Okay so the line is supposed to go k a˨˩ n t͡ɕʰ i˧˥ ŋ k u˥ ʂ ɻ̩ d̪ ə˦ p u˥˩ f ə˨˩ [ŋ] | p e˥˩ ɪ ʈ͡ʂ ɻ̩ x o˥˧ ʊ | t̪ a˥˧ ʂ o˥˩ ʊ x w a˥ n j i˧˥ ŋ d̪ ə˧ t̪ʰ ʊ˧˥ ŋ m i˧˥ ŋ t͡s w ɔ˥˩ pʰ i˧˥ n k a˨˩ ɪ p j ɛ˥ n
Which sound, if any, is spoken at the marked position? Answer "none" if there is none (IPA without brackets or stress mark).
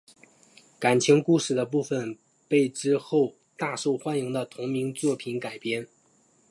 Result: n